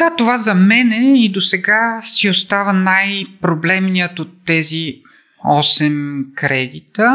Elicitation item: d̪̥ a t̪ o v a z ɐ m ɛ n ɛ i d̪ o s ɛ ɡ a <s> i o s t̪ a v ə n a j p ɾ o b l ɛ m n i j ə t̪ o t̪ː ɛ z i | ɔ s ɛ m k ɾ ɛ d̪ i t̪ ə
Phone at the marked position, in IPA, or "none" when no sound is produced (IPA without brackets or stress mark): s